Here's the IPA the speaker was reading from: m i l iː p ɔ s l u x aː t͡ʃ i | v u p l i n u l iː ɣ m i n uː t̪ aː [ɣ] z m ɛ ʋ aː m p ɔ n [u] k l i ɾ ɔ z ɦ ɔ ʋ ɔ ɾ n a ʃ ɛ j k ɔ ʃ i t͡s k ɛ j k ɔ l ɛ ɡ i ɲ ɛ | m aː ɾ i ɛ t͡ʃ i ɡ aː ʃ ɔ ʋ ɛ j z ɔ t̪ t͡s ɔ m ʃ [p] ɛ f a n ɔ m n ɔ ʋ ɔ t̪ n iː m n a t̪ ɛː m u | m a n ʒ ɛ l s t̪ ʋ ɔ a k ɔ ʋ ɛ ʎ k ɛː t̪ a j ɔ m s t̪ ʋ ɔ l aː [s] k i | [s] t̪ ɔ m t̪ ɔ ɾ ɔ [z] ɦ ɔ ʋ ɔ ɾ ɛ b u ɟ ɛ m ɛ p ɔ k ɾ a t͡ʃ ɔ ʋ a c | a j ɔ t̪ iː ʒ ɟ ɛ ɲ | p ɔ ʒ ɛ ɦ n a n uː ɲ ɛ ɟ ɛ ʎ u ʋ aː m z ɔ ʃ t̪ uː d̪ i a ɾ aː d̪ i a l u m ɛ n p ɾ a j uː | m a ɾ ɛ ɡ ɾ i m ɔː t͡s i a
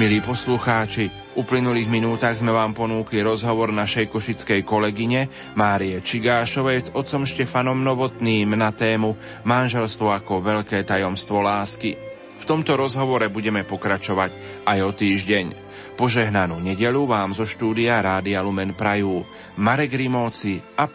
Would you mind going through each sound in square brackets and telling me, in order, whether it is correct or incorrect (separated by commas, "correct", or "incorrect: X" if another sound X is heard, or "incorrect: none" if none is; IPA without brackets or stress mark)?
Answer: correct, incorrect: uː, incorrect: c, correct, incorrect: f, correct